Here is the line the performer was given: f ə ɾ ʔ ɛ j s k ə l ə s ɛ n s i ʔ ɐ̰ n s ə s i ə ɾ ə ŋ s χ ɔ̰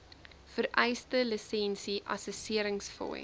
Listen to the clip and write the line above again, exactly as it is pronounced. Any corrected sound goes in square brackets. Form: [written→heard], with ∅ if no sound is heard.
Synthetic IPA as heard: f ə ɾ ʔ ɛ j s [k→t] ə l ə s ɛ n s i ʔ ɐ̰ [n→∅] s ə s i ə ɾ ə ŋ s [χ→f] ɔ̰